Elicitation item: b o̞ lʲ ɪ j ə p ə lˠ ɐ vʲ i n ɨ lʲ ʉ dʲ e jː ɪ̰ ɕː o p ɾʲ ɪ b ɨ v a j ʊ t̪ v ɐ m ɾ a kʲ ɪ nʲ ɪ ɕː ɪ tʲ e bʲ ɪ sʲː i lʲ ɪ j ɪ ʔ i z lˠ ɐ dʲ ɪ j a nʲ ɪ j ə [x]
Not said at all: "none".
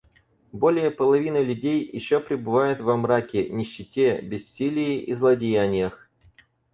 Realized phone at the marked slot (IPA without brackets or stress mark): x